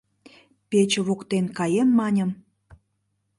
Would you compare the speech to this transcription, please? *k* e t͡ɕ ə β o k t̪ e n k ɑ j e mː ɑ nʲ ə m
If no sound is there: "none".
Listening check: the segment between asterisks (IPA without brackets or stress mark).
p